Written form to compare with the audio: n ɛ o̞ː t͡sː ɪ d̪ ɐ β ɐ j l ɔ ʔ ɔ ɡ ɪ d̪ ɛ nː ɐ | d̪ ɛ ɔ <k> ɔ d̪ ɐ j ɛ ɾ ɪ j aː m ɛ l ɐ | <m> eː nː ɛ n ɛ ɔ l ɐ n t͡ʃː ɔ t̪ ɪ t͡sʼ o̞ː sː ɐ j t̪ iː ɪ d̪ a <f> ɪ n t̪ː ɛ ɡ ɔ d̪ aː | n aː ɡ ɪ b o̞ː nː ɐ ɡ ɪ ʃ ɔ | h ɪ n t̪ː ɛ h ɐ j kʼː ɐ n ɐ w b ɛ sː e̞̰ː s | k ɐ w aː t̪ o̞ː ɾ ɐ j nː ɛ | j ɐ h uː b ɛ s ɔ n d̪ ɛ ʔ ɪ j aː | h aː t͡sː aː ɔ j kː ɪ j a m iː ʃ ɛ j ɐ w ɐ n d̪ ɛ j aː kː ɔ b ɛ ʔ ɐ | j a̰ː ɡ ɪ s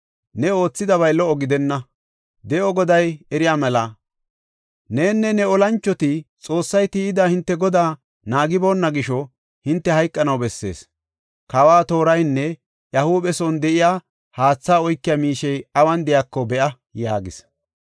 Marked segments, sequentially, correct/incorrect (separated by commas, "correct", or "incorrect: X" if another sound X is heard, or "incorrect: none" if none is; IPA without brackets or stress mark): incorrect: ɡ, incorrect: n, incorrect: h